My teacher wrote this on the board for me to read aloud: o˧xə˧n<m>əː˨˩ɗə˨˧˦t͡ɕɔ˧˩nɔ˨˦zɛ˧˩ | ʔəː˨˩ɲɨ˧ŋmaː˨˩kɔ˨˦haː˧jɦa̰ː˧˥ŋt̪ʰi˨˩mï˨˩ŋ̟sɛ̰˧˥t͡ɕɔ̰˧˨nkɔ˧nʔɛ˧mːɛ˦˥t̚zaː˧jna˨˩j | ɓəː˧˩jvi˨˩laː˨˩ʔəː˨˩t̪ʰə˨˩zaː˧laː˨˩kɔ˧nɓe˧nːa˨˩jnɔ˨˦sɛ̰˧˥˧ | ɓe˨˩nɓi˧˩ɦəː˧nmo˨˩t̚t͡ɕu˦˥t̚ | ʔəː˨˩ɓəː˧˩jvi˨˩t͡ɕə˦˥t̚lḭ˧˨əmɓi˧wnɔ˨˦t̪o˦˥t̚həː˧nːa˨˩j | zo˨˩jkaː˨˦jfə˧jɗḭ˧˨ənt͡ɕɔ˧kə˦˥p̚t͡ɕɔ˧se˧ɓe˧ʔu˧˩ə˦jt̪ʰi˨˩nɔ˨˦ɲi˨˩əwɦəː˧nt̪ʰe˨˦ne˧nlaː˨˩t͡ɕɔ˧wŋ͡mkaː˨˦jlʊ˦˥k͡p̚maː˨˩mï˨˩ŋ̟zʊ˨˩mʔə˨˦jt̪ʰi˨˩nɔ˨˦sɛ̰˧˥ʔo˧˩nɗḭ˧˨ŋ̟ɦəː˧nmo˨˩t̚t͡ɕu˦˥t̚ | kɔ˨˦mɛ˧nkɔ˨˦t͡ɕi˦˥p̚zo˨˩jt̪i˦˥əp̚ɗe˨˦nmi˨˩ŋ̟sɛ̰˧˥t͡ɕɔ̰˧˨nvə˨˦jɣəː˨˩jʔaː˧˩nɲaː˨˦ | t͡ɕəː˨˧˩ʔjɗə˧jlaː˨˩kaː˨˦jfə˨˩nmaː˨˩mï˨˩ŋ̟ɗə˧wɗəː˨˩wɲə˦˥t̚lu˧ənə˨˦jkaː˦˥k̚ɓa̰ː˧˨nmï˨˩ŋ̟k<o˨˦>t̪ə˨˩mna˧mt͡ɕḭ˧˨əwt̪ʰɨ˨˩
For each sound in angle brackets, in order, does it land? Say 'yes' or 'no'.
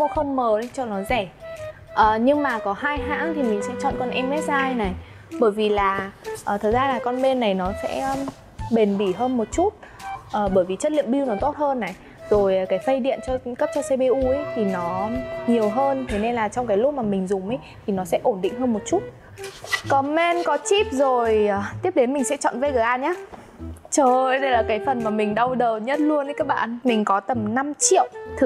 yes, no

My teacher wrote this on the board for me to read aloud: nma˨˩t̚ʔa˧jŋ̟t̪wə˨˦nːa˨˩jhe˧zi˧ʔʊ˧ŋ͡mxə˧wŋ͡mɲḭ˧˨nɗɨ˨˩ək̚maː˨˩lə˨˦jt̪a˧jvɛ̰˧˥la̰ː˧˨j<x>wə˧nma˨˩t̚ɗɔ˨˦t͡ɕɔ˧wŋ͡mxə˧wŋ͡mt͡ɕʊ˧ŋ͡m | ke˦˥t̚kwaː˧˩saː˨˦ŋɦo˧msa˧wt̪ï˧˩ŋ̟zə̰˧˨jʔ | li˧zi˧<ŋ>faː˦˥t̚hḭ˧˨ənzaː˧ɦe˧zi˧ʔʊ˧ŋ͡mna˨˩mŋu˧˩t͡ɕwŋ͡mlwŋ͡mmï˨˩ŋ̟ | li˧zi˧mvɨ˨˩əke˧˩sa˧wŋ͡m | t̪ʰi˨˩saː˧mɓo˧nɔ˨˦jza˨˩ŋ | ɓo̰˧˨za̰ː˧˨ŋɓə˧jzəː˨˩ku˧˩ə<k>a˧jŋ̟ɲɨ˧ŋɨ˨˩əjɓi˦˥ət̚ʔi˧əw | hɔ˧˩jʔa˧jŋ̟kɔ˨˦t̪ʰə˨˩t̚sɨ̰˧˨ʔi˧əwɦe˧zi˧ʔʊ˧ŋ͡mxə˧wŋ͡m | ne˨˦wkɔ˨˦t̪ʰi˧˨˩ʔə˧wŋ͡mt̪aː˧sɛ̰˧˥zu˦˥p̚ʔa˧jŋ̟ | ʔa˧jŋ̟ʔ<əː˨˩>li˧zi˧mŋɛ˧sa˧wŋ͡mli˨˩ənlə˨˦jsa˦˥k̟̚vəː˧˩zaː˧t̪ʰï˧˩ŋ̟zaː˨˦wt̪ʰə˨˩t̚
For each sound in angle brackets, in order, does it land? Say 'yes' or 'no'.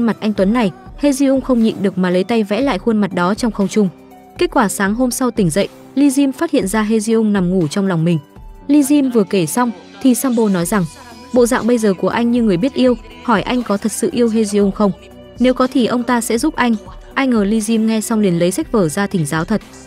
yes, no, no, yes

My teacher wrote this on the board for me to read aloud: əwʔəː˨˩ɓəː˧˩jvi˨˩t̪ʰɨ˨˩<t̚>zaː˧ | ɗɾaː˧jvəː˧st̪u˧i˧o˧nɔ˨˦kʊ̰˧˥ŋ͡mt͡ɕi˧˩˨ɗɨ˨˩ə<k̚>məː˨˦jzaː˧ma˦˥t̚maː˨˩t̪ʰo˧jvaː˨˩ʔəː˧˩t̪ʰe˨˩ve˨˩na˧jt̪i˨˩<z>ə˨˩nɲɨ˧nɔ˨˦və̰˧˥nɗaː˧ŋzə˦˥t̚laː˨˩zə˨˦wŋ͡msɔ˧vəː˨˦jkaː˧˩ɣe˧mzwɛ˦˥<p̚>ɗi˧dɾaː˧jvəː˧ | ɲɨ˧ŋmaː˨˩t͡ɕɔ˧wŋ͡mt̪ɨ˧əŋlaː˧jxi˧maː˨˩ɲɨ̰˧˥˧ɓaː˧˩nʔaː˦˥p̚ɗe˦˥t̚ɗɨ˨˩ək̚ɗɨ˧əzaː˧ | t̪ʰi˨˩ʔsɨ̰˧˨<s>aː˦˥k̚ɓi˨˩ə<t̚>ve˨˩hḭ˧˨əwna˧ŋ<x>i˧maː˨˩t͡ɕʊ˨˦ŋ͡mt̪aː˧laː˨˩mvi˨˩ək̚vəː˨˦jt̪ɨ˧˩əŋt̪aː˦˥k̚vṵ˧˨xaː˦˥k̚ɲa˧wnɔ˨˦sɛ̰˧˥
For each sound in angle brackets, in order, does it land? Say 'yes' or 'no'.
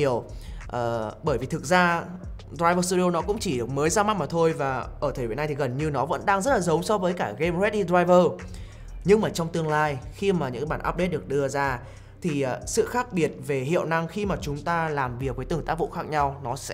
no, yes, no, no, no, yes, yes

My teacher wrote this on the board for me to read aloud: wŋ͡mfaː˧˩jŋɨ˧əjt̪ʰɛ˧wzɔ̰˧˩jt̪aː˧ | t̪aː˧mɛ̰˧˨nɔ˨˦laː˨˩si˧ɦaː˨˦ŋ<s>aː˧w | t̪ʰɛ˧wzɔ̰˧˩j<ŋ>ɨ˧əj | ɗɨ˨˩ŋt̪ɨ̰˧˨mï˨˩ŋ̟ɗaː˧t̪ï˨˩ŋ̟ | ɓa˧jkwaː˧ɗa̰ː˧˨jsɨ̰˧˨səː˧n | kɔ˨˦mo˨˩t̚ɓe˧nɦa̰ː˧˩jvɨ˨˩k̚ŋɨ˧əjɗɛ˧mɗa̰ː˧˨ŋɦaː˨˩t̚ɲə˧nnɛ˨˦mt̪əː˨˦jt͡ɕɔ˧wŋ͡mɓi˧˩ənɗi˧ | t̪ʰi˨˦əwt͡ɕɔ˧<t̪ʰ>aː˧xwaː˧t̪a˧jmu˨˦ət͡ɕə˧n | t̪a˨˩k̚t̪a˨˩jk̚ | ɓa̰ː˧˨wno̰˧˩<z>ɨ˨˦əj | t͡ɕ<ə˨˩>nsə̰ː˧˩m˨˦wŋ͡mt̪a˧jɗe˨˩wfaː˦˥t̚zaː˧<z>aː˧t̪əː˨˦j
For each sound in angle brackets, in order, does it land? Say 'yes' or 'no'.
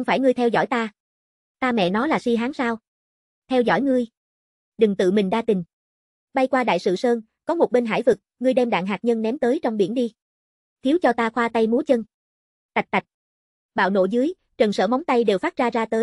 yes, yes, no, yes, yes, yes

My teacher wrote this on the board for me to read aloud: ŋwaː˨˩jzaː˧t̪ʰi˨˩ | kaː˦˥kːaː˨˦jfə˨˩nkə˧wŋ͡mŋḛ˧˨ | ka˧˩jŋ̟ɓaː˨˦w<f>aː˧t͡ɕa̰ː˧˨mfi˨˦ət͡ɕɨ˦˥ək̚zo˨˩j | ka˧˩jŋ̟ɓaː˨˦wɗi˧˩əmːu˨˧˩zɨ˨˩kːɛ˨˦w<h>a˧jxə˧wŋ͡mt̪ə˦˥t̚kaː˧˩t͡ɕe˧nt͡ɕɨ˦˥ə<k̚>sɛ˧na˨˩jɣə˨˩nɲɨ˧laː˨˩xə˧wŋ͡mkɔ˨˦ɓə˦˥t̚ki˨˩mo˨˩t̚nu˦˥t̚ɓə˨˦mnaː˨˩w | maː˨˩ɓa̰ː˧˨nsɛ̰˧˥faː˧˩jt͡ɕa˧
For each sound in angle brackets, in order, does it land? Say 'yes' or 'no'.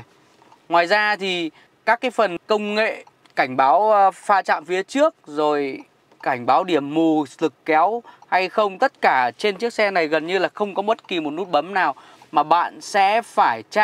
yes, yes, yes

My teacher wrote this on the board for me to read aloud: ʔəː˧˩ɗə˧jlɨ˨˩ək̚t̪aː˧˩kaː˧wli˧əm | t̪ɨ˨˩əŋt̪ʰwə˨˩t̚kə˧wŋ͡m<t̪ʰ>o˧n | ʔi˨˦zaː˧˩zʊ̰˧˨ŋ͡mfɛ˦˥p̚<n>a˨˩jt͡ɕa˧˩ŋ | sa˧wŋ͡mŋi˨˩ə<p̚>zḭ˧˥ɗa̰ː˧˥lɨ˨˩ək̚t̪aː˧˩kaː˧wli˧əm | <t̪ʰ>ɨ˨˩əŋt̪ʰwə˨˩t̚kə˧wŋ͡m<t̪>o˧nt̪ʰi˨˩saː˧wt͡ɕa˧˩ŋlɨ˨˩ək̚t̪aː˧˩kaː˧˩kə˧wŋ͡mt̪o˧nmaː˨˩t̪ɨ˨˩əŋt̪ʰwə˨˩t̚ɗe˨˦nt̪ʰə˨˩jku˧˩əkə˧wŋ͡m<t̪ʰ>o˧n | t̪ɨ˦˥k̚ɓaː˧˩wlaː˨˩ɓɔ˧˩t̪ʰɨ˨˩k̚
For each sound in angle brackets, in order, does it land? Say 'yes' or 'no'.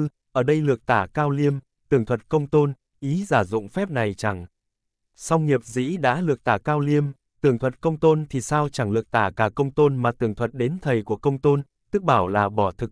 no, yes, yes, no, yes, no

